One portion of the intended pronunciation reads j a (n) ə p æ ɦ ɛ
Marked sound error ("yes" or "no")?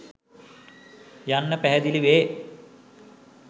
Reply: yes